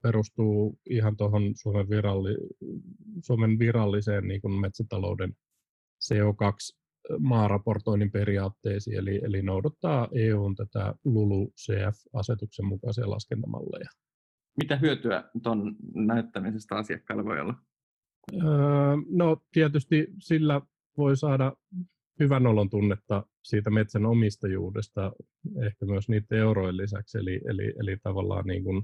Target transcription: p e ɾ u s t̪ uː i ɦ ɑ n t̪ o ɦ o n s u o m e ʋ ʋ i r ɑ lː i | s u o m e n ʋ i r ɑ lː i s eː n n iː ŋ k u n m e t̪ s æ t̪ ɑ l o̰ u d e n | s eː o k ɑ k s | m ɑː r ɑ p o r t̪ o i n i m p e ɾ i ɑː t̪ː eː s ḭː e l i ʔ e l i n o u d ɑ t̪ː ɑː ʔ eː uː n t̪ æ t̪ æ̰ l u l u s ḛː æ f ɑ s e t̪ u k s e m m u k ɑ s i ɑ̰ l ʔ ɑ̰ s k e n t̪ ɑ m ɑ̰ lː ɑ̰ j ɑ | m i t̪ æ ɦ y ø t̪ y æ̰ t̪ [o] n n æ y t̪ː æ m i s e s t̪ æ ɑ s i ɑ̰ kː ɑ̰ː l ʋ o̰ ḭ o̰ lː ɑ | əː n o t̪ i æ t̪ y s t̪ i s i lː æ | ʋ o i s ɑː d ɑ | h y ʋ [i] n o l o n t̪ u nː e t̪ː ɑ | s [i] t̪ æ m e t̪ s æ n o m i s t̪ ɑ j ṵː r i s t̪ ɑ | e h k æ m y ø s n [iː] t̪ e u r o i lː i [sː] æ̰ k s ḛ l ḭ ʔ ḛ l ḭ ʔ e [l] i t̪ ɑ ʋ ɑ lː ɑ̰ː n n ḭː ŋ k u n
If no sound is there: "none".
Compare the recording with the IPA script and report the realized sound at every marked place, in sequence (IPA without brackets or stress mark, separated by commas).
o, æ, iː, iː, s, l